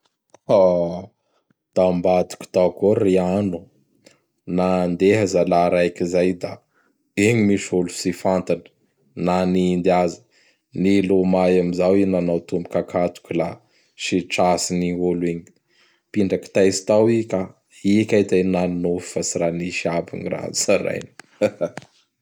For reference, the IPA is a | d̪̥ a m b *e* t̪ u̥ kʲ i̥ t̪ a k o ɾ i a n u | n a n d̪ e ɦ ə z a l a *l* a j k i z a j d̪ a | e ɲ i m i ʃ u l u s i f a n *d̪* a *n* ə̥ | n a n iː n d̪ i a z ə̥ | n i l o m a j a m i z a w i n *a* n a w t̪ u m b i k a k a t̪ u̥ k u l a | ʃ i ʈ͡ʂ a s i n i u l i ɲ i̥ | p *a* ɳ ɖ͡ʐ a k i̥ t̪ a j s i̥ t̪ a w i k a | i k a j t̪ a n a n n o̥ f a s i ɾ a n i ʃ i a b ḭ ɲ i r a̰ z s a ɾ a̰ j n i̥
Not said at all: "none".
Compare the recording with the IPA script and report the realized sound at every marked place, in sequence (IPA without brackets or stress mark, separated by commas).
a, ɾ, t̪, n, a, i